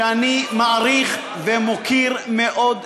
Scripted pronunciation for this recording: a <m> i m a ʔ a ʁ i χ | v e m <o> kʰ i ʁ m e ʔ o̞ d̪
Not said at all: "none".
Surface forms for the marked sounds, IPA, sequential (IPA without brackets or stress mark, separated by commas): n, o